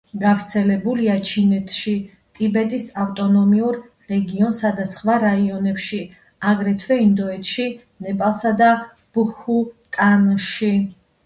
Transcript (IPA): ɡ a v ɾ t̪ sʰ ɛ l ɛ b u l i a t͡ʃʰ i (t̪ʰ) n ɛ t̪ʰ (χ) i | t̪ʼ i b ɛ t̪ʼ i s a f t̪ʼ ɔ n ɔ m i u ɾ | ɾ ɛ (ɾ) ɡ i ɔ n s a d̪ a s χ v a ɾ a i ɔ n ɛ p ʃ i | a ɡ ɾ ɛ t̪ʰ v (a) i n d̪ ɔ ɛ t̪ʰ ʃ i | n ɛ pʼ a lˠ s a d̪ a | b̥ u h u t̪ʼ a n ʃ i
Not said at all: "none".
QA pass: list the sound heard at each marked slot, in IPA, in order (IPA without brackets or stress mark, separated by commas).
none, ʃ, none, ɛ